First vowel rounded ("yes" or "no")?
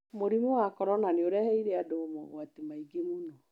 yes